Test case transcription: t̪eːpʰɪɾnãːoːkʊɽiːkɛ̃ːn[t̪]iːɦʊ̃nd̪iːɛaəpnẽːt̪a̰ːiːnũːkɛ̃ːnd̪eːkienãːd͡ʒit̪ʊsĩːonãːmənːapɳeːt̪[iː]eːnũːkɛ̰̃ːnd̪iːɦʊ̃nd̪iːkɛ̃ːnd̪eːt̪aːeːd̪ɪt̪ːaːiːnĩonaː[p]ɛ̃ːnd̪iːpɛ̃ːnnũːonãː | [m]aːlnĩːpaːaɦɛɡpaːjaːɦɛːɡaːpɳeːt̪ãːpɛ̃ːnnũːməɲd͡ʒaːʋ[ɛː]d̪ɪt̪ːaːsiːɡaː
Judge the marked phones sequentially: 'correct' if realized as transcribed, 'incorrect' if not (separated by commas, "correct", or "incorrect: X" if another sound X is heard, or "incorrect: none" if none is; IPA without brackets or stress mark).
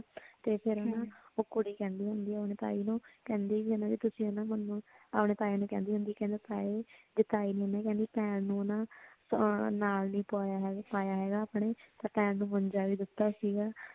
incorrect: d̪, incorrect: aː, incorrect: k, incorrect: n, incorrect: iː